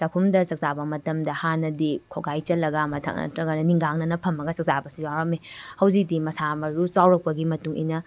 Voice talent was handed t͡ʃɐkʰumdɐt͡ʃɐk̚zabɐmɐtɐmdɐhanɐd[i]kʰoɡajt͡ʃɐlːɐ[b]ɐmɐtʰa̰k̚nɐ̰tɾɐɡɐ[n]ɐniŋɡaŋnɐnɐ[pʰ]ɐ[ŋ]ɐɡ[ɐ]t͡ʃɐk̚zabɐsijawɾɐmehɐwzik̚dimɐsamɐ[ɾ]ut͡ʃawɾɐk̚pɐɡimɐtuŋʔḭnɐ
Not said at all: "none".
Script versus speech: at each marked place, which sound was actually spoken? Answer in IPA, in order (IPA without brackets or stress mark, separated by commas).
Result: i, ɡ, n, pʰ, m, ɐ, ɾ